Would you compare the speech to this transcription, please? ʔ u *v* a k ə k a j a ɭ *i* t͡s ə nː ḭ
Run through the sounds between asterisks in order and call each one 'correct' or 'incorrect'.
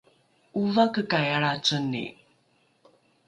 correct, incorrect: a

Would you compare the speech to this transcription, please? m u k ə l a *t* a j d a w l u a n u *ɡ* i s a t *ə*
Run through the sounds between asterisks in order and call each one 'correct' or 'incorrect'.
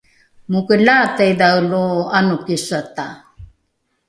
correct, incorrect: k, incorrect: a

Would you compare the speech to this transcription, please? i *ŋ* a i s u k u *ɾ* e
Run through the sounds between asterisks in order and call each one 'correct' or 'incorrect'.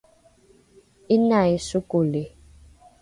incorrect: n, incorrect: l

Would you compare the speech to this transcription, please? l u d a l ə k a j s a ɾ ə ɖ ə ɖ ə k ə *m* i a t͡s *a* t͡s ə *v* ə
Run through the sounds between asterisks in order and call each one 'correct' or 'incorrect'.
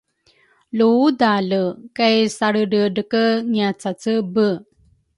incorrect: ŋ, correct, incorrect: b

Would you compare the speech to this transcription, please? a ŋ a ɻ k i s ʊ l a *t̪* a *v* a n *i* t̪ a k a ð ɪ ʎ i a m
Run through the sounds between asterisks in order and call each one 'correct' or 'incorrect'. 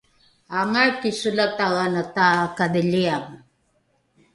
correct, incorrect: ɣ, incorrect: a

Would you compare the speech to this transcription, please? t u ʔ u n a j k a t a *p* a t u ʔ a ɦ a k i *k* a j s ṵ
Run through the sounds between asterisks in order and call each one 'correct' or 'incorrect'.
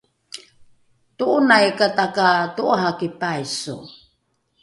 incorrect: k, incorrect: p

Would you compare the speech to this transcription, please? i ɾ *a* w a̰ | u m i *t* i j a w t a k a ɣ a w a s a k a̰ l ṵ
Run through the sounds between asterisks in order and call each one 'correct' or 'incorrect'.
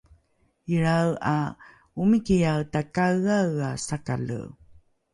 correct, incorrect: k

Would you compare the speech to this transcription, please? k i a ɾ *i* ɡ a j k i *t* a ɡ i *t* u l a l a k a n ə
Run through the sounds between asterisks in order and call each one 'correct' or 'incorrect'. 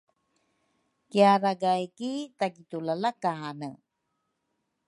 incorrect: a, correct, correct

